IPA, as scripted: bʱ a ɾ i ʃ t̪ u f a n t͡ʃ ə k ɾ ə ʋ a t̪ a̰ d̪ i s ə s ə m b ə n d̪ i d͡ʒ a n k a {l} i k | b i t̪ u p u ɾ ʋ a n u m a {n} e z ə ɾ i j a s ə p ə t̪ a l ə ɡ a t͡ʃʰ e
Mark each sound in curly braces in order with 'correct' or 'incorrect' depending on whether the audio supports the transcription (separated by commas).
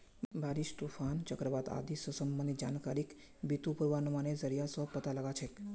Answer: incorrect, correct